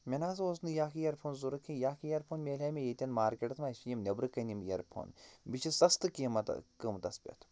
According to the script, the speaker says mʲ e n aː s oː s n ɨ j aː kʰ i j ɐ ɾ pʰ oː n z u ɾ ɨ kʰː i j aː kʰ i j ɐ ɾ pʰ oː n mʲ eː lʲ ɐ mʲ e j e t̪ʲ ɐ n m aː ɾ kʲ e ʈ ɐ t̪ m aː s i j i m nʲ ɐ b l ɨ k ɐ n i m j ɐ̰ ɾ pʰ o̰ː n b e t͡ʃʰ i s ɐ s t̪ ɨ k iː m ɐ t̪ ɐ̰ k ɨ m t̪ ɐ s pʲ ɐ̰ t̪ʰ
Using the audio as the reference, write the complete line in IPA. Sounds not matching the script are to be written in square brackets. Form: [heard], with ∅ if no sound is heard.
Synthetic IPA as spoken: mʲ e n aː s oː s n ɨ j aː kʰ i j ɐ ɾ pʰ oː n z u ɾ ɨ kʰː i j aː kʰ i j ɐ ɾ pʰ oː n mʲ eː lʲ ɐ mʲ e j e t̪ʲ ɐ n m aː ɾ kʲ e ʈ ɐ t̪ m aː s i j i m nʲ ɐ b [ɾ] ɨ k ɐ n i m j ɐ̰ ɾ pʰ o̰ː n b [i] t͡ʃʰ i s ɐ s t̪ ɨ k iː m ɐ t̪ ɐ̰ k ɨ m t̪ ɐ s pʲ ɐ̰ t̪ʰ